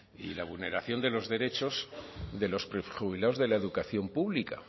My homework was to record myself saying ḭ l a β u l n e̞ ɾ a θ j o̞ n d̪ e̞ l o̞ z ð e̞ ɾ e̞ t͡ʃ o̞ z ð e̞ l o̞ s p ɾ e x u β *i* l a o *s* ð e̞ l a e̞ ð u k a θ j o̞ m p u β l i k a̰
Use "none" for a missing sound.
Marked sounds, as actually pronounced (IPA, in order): i, z

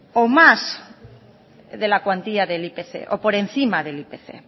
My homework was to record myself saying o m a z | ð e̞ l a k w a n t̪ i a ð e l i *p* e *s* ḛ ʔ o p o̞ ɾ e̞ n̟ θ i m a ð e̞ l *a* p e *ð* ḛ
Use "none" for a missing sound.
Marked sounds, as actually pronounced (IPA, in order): p, θ, i, θ

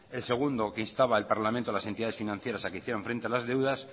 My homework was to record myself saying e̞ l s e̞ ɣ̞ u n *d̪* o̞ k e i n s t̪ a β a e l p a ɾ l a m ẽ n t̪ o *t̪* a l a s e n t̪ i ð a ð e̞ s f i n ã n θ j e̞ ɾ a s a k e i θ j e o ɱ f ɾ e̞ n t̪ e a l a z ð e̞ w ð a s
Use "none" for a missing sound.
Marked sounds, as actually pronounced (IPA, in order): d̪, none

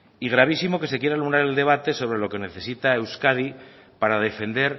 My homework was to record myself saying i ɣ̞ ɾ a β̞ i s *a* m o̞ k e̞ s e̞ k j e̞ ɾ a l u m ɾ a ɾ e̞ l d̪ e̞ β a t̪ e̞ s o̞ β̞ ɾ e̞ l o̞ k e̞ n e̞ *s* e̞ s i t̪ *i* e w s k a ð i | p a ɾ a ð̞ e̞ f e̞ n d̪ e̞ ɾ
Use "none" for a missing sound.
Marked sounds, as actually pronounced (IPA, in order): i, θ, a

